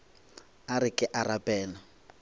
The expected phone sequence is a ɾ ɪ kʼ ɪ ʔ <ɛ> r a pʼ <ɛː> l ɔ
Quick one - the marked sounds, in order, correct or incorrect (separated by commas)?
incorrect, correct